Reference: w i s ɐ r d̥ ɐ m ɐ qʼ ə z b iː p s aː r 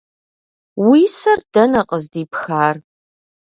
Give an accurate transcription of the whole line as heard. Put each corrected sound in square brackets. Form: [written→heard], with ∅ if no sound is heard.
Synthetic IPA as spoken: w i s ɐ r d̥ ɐ [m→n] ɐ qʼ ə z [b→d] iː p [s→x] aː r